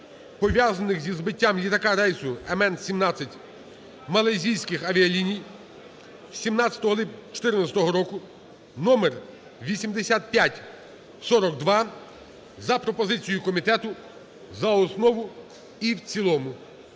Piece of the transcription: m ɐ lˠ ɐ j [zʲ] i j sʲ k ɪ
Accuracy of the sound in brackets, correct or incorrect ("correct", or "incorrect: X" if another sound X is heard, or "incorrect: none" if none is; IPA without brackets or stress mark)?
correct